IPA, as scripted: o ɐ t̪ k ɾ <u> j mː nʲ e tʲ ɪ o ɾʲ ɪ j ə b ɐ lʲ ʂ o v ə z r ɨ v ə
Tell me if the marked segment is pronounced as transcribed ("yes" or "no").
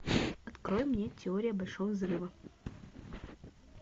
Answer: no